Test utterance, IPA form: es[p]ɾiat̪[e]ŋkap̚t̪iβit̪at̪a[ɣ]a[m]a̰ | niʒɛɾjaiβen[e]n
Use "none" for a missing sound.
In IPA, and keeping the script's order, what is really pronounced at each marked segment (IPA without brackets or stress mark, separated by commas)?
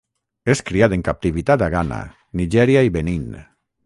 k, e, ɣ, n, i